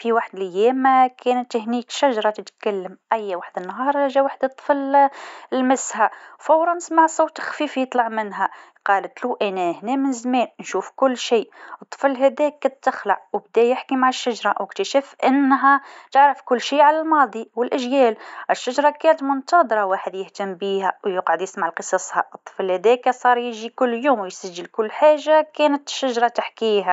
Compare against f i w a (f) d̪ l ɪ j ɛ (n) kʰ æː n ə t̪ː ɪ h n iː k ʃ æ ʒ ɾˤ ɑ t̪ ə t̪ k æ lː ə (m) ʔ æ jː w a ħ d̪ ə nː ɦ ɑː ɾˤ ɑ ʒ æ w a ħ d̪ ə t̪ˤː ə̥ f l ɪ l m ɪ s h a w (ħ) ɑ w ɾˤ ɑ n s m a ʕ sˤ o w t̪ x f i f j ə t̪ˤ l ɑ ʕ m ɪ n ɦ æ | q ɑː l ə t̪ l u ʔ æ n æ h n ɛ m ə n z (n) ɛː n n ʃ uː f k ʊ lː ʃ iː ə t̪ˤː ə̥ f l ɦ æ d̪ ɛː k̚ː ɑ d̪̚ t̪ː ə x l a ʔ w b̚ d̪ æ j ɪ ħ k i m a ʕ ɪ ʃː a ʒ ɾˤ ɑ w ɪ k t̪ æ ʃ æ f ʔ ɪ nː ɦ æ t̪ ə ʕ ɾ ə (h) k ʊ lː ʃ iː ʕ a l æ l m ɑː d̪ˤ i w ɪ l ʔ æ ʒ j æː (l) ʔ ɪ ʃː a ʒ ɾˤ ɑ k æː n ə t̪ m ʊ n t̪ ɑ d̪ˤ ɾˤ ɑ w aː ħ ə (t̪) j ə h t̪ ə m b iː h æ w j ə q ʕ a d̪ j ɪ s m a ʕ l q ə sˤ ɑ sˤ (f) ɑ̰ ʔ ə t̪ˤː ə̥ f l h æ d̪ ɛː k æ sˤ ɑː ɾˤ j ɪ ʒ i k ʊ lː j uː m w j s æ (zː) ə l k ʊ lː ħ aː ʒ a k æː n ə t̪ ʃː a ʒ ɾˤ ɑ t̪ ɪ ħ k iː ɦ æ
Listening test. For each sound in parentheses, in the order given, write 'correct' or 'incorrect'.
incorrect: ħ, incorrect: m, correct, incorrect: f, incorrect: m, incorrect: f, correct, incorrect: d̪, incorrect: h, incorrect: ʒː

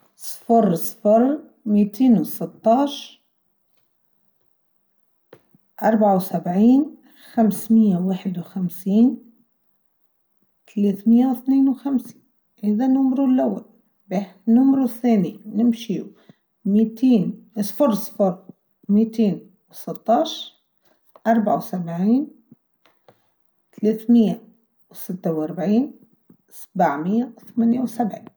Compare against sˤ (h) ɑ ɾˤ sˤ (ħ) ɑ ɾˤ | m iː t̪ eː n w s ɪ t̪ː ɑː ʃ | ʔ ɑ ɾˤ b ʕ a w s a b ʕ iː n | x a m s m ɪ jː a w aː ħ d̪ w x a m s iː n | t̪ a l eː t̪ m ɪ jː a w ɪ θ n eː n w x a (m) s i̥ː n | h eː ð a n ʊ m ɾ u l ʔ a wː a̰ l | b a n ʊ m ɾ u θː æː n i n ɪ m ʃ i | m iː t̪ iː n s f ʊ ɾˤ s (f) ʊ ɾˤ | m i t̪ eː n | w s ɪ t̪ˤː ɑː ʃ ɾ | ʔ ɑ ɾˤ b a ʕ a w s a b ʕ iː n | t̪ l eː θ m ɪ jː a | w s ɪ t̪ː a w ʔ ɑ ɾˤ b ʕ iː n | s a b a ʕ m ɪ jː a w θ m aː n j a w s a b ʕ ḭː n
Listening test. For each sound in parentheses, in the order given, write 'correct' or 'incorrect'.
incorrect: f, incorrect: f, correct, correct

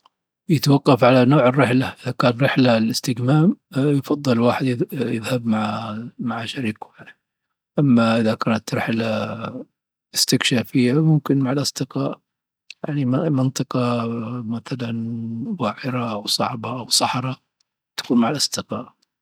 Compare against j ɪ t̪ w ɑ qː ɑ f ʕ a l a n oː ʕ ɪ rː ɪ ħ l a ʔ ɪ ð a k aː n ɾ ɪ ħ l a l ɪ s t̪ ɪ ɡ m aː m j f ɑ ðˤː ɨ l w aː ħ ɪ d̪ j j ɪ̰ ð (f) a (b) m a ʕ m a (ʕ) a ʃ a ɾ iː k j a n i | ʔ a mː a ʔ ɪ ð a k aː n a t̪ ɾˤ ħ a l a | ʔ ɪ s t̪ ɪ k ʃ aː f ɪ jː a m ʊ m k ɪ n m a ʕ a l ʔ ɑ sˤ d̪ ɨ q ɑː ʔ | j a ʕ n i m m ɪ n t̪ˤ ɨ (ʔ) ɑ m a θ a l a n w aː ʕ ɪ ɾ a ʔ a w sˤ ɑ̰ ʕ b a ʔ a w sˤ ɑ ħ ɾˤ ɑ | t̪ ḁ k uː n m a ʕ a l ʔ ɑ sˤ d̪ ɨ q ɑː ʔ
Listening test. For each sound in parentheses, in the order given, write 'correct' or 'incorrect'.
incorrect: h, correct, correct, incorrect: q

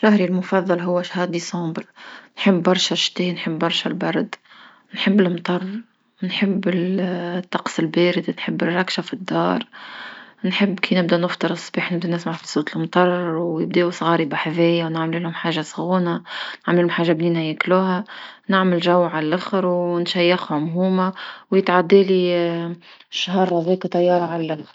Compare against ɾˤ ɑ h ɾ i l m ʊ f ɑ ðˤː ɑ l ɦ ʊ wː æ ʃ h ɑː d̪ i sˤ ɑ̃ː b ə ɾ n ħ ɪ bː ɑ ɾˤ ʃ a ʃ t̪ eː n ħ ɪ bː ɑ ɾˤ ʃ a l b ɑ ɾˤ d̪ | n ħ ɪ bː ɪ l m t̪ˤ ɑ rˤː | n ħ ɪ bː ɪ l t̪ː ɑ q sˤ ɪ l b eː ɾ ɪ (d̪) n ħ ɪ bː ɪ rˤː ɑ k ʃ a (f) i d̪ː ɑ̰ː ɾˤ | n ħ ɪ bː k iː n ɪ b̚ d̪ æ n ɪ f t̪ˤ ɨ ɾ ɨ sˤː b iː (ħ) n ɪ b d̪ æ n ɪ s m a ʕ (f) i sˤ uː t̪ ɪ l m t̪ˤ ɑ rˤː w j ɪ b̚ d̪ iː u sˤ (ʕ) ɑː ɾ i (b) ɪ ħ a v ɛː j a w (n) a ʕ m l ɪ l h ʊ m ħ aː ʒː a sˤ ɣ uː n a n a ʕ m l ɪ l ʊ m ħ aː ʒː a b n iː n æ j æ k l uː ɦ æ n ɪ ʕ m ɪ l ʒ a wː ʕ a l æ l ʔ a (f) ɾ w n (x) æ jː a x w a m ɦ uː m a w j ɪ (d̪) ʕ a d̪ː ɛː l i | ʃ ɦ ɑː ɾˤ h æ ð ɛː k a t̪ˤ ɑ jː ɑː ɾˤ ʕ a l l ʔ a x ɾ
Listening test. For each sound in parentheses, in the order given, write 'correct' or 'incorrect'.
correct, correct, correct, correct, incorrect: ɣ, correct, correct, incorrect: x, incorrect: ʃ, incorrect: t̪

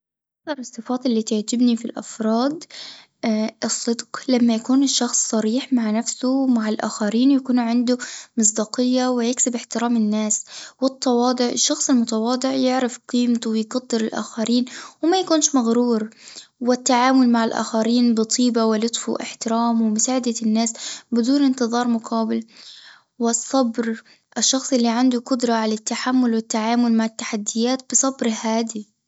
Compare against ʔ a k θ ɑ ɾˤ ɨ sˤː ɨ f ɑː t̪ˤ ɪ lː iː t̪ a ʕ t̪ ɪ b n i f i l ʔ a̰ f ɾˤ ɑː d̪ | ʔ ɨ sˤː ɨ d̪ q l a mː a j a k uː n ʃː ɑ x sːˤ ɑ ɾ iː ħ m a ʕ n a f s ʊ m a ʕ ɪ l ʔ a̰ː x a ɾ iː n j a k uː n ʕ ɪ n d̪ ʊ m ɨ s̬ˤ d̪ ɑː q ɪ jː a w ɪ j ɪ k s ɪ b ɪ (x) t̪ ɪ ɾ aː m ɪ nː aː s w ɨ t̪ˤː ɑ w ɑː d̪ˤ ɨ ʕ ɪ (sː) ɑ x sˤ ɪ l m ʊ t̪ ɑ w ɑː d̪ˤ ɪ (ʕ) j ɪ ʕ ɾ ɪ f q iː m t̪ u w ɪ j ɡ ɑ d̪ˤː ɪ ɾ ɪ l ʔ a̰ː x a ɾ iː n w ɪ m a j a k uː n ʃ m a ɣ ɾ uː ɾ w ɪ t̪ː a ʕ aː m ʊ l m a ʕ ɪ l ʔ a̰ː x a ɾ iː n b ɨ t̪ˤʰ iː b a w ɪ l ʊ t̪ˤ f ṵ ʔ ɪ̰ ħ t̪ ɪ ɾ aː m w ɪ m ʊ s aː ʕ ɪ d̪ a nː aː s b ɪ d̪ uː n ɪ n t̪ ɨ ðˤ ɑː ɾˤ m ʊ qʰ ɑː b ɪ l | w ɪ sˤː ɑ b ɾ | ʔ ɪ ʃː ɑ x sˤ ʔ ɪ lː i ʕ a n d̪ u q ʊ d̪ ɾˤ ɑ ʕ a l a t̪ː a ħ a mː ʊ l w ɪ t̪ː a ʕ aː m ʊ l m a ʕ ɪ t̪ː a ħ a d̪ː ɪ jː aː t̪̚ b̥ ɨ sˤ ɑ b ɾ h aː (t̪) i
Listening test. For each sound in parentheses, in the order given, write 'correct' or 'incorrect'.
incorrect: ħ, incorrect: ʃː, correct, incorrect: d̪

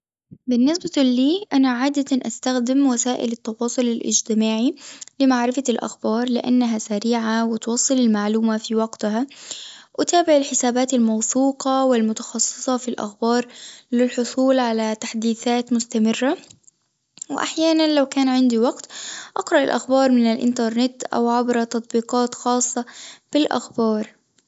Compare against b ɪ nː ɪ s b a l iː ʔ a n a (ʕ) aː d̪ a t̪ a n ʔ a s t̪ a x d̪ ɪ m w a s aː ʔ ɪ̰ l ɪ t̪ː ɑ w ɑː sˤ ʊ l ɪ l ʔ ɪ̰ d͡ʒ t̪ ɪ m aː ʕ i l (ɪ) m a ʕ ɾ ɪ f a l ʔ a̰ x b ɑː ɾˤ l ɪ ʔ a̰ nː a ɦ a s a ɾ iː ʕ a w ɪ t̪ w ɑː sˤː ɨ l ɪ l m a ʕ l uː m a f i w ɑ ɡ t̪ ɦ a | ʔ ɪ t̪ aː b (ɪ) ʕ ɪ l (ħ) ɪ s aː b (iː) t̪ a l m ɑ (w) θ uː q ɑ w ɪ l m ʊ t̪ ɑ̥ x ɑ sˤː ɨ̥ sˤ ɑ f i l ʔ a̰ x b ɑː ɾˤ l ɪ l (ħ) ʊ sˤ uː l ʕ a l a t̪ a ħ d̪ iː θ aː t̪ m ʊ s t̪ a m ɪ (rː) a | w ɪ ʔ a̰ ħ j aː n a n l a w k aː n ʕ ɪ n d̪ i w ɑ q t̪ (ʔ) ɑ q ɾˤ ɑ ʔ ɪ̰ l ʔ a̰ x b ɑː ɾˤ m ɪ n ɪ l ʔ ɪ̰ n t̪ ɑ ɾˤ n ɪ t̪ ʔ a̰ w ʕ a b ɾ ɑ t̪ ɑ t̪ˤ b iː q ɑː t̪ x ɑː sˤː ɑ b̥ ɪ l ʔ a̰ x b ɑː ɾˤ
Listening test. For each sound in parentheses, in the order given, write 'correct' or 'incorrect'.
correct, correct, correct, correct, incorrect: aː, correct, correct, correct, correct

